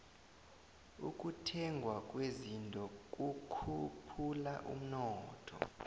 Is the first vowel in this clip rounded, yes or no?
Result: yes